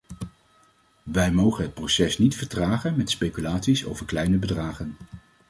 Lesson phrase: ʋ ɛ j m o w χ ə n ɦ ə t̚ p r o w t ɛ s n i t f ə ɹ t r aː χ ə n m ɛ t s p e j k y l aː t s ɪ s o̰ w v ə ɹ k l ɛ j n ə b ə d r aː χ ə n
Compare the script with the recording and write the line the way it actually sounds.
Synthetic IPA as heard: ʋ ɛ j m o w χ ə n ɦ ə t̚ p r o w s ɛ s n i t f ə ɹ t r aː χ ə n m ɛ t s p e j k y l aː t s i s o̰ w v ə ɹ k l ɛ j n ə b ə d r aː χ ə n